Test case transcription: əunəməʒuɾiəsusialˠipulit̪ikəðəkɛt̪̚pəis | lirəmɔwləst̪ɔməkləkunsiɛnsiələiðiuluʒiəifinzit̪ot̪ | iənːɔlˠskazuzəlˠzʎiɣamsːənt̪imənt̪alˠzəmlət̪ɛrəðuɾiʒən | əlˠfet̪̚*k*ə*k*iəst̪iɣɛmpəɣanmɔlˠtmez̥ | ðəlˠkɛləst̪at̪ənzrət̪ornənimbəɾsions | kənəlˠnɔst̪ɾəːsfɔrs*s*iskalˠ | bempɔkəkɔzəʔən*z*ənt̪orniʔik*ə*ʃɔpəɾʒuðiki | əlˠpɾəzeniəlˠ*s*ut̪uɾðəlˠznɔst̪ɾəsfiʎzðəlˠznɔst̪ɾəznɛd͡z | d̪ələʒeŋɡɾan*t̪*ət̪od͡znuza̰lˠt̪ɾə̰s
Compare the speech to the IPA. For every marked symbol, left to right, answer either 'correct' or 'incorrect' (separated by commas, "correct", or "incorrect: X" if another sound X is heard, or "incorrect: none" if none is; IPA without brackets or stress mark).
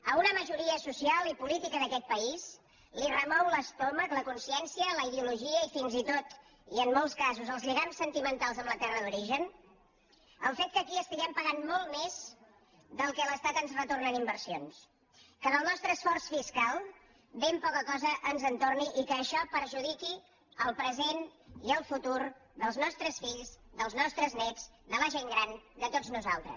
correct, correct, incorrect: f, correct, incorrect: əː, incorrect: f, incorrect: d̪